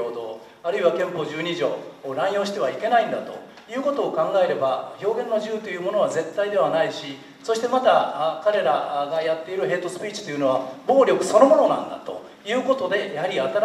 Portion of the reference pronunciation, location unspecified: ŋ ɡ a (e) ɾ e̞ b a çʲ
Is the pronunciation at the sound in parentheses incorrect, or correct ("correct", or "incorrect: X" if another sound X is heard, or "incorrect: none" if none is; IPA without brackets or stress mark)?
correct